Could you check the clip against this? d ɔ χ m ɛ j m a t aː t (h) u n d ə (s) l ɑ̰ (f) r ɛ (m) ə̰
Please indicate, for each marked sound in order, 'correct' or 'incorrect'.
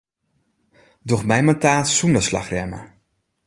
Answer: incorrect, correct, incorrect, correct

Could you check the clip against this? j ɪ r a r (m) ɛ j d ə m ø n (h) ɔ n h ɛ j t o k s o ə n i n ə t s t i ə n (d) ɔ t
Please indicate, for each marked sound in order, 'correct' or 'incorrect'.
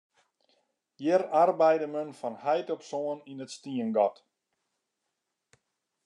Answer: incorrect, incorrect, incorrect

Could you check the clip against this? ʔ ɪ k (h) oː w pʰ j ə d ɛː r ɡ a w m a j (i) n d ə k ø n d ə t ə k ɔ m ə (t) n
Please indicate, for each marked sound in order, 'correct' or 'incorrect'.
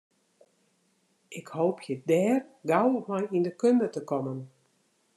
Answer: correct, correct, incorrect

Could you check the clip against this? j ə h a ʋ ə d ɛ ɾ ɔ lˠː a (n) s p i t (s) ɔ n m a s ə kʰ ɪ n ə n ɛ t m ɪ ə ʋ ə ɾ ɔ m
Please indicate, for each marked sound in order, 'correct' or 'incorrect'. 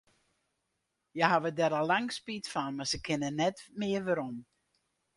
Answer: incorrect, incorrect

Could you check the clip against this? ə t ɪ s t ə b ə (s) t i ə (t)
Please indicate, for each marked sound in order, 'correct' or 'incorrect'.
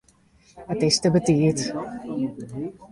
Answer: incorrect, correct

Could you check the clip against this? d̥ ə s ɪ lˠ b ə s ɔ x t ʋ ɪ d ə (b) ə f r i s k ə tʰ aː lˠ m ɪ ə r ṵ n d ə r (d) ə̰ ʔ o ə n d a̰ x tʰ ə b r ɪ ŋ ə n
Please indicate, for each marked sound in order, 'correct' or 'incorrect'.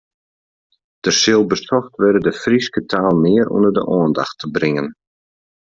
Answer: incorrect, correct

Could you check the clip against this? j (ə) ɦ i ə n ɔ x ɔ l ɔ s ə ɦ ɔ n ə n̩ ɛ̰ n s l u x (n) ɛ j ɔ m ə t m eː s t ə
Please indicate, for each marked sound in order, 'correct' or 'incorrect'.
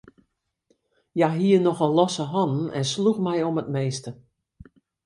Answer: incorrect, incorrect

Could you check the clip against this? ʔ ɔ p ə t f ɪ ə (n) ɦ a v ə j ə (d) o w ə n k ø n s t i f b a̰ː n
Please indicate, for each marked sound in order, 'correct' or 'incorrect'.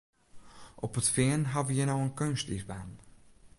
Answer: correct, incorrect

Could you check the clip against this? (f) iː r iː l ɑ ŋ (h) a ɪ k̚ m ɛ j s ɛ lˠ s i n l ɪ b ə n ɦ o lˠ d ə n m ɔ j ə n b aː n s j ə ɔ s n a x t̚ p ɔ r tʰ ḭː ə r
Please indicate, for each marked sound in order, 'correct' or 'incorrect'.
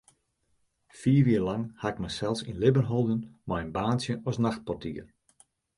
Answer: correct, correct

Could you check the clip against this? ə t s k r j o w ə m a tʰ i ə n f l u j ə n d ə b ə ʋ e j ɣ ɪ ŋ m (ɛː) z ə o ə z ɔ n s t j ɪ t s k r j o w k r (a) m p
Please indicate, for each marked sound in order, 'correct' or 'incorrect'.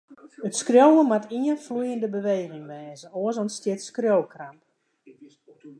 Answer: correct, correct

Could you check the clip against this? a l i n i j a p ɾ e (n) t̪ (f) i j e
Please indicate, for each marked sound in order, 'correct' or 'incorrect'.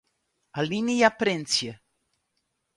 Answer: correct, incorrect

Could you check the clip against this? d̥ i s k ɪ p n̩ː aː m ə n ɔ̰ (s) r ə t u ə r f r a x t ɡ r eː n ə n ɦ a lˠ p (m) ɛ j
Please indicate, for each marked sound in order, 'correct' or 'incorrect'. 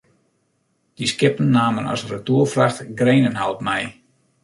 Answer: correct, correct

